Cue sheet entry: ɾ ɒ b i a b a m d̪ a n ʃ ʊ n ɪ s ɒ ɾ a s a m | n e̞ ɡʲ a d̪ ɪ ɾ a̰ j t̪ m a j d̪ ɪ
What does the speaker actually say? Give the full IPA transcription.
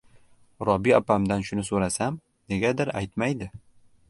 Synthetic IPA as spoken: ɾ ɒ b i a p a m d̪ a n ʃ ʊ n ɪ s o ɾ a s a m | n e̞ ɡʲ a d̪ ɪ ɾ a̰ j t̪ m a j d̪ ɪ